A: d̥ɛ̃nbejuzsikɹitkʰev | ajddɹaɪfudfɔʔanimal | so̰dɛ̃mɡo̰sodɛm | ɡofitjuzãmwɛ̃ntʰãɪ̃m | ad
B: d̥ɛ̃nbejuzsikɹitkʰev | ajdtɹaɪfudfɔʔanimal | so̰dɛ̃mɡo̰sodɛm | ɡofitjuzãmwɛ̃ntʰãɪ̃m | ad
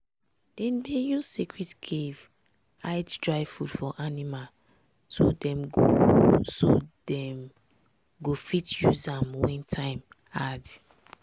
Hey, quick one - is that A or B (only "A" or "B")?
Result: A